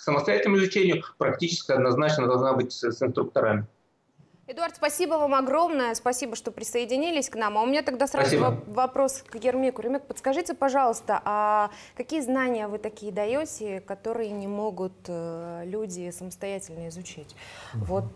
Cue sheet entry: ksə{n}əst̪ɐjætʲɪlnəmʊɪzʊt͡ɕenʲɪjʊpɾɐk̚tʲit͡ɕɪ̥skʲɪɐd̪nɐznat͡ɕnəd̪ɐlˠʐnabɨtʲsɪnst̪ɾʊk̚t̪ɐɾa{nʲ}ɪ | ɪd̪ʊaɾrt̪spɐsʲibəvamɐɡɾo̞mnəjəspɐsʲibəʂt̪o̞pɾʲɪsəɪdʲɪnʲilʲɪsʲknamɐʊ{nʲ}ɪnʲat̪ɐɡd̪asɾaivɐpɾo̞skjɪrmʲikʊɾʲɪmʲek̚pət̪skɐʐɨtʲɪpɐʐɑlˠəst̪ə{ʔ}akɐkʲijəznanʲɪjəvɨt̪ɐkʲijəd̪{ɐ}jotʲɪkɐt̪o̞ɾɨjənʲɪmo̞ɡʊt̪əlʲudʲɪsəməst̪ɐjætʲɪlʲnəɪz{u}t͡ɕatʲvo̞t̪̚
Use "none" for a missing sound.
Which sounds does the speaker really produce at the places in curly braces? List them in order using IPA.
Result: m, mʲ, mʲ, ʔ, ɐ, ʊ

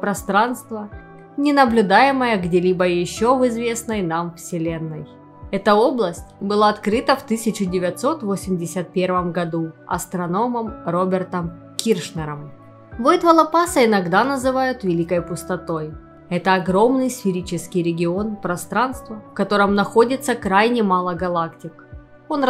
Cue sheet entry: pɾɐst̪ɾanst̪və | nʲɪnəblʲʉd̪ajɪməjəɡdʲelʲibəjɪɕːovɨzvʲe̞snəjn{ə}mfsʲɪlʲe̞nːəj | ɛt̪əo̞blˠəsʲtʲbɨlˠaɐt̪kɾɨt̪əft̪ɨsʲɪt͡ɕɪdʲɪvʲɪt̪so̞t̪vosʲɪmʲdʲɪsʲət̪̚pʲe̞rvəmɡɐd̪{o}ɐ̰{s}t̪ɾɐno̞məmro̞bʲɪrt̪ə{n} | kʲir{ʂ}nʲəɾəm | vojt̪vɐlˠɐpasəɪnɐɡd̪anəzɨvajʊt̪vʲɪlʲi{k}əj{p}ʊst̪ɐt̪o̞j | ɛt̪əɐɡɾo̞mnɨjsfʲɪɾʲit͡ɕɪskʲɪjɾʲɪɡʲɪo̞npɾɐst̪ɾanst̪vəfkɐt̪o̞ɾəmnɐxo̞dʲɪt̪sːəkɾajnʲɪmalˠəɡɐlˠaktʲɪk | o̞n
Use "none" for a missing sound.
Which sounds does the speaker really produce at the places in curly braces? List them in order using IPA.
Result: a, u, s, m, ʂ, k, p

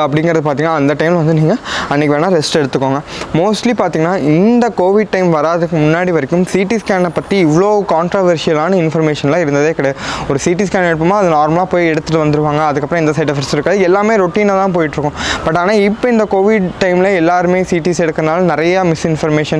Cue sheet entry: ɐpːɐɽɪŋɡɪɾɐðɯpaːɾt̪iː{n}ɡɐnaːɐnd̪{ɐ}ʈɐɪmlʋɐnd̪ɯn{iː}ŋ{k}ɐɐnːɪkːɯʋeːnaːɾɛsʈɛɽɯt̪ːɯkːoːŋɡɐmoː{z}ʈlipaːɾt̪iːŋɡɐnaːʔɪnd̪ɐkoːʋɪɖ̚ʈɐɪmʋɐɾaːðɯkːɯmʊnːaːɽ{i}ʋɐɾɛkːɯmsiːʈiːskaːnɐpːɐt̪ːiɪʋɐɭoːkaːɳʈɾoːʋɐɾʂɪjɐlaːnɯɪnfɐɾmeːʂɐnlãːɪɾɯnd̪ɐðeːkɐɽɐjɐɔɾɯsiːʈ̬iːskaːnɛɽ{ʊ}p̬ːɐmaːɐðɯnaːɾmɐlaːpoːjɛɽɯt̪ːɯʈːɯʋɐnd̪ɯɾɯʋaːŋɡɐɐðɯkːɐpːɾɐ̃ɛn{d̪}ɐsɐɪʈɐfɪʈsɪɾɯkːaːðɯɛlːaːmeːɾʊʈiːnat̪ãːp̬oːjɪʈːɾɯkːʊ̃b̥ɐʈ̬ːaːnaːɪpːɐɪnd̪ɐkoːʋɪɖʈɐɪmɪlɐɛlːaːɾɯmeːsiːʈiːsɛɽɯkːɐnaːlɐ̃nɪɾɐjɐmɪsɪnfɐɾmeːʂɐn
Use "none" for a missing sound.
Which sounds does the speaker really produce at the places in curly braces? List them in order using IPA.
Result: ŋ, ɐ, iː, ɡ, s, i, ɯ, d̪

